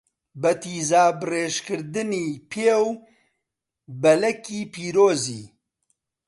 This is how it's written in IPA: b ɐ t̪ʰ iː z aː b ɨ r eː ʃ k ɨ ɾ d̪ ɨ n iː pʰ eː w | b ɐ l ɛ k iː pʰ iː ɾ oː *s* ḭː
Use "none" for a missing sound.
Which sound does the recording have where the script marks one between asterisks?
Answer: z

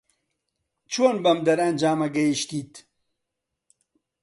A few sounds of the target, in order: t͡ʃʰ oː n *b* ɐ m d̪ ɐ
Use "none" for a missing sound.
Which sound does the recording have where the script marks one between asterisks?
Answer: b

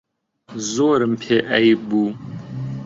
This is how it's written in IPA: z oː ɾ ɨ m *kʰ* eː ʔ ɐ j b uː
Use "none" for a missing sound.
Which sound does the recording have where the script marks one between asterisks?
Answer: pʰ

